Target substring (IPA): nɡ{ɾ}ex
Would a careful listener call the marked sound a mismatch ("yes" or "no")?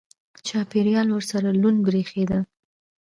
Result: no